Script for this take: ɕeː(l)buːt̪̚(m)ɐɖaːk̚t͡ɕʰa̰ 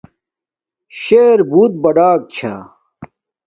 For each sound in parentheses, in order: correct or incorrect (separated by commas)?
incorrect, incorrect